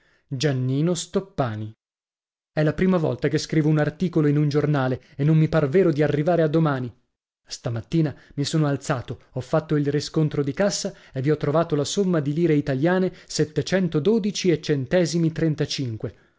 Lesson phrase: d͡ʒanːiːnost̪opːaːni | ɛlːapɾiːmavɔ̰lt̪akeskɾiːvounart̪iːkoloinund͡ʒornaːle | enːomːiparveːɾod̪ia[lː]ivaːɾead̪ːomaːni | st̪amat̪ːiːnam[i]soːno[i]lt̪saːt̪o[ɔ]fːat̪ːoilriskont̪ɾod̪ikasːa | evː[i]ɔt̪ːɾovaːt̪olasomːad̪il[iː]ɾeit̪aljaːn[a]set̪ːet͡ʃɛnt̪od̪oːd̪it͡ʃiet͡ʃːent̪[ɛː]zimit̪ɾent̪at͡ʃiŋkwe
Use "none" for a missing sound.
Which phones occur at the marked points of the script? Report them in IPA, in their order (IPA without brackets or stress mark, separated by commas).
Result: rː, i, a, ɔ, i, iː, e, ɛː